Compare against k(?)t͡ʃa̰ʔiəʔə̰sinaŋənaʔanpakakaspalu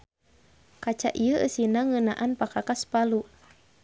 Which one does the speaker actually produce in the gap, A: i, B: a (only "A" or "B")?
B